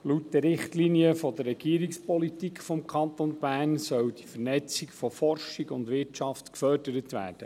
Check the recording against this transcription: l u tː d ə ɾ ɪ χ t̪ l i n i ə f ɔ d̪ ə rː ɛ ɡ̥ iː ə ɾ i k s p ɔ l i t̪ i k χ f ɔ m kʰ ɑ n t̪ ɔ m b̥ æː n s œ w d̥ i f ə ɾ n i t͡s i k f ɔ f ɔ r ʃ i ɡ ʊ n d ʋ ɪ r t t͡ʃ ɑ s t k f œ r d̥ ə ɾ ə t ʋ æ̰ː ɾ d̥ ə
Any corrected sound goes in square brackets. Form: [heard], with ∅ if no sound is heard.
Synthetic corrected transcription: l u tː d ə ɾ ɪ χ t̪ l i n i ə f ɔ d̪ ə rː ɛ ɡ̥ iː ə ɾ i k s p ɔ l i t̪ i k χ f ɔ m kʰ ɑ n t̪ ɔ [n] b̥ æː n s œ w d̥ i f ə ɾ n [ɛ] t͡s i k f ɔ f ɔ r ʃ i ɡ ʊ n d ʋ ɪ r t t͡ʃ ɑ [f] t k f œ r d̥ ə ɾ ə t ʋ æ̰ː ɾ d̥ ə